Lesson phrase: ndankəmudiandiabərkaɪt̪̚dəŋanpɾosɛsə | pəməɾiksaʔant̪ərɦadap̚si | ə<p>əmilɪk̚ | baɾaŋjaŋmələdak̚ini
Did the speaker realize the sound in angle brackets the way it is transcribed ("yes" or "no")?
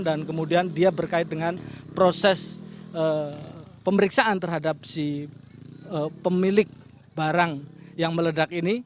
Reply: yes